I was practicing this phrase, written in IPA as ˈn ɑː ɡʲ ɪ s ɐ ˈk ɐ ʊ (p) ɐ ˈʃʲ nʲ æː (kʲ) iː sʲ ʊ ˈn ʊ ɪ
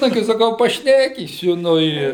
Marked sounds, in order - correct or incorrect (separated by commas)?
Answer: correct, correct